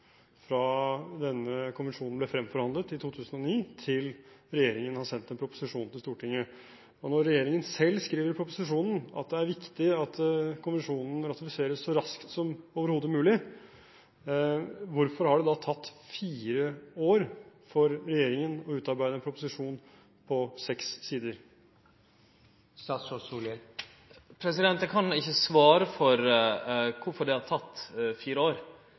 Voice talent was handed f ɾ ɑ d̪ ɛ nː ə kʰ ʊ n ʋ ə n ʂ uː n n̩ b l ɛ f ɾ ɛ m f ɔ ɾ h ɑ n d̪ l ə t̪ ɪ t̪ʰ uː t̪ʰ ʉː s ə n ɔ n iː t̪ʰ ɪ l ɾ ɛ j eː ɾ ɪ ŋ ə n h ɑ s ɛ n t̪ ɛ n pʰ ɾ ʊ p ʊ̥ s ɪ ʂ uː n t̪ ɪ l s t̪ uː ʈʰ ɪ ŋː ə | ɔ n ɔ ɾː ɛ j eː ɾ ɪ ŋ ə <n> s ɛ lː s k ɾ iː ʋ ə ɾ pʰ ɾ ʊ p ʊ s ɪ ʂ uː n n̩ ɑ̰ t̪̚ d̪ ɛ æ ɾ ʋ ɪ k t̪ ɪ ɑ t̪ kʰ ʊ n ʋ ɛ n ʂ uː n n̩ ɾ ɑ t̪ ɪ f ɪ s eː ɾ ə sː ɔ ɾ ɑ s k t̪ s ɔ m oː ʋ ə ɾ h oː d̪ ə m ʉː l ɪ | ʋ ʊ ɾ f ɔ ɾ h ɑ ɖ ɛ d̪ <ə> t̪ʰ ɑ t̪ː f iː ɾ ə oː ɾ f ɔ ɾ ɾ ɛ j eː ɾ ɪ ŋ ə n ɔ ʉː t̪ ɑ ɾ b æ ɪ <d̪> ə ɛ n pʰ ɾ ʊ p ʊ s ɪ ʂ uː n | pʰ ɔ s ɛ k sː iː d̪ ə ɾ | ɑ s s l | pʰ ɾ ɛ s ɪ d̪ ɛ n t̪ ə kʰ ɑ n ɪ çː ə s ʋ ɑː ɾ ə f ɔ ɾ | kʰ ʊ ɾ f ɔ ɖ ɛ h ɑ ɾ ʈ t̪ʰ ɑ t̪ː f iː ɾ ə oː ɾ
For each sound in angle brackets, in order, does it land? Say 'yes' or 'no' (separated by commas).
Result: yes, no, yes